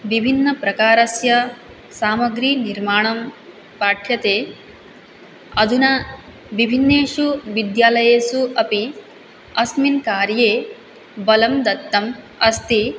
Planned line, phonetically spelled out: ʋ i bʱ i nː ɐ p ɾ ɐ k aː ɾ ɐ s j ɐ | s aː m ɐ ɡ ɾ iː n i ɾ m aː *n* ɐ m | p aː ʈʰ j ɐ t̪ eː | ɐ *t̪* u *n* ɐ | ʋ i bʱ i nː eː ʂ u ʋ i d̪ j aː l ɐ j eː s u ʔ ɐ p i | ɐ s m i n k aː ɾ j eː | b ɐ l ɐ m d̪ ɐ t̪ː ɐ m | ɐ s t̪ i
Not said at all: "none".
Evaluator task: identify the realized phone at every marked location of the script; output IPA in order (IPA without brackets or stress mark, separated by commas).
ɳ, d̪, n